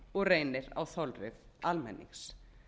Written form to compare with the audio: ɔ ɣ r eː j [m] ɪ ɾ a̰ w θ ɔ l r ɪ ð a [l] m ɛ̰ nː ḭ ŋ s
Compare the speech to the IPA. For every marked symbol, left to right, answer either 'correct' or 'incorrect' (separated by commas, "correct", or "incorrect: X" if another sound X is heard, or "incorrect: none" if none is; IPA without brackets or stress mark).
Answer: incorrect: n, correct